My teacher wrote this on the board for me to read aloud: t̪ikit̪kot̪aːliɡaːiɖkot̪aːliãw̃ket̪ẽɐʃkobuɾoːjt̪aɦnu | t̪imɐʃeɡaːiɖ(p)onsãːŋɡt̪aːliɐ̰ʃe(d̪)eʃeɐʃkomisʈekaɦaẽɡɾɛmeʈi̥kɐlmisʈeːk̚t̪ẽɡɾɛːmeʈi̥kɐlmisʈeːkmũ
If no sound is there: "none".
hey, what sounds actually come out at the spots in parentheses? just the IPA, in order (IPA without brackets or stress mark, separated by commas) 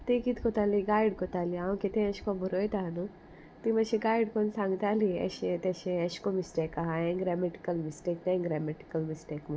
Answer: k, t̪